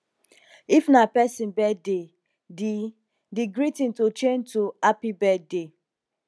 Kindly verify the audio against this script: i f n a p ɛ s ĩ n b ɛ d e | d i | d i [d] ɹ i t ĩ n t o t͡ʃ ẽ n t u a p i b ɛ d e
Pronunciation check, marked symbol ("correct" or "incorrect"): incorrect